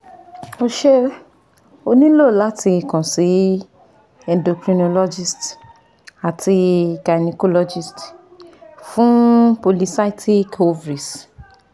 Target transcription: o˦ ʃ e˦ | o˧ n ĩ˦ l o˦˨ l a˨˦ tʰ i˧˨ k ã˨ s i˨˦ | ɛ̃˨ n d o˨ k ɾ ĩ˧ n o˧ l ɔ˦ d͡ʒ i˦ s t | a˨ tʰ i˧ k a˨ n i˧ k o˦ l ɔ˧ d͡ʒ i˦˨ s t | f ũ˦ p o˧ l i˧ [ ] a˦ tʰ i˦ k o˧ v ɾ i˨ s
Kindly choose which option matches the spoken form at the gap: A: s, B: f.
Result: A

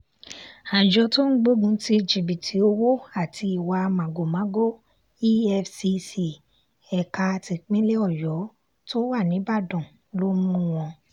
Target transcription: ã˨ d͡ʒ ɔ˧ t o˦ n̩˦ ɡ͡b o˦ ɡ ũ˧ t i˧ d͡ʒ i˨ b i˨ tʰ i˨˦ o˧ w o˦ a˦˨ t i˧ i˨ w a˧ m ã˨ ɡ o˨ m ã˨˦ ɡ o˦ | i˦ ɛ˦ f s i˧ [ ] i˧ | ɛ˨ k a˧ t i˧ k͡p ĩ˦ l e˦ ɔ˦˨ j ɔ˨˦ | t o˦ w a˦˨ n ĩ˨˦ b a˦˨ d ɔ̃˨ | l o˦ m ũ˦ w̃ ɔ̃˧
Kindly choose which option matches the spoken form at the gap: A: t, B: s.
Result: B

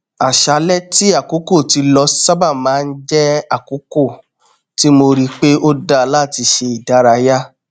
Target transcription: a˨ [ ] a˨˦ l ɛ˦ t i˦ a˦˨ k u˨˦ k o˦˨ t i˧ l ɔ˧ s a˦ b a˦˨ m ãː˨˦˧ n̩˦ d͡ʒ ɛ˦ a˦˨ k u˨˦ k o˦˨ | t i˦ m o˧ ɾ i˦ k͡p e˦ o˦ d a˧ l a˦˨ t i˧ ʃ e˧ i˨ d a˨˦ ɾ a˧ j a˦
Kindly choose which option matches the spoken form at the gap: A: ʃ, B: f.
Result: A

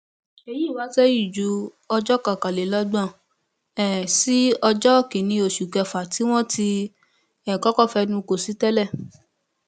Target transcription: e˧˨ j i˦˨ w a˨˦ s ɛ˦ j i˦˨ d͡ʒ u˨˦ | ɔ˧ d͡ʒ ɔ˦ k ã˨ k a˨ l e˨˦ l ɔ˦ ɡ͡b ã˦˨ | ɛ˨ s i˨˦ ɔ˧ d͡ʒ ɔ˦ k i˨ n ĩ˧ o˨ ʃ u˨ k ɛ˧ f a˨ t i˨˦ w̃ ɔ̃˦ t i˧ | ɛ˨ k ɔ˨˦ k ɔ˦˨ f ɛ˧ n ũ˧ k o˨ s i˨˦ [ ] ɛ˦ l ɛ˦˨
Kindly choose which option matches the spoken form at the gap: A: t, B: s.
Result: A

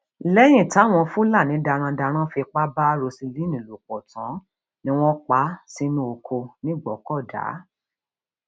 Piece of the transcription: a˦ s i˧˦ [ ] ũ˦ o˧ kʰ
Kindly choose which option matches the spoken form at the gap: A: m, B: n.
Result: B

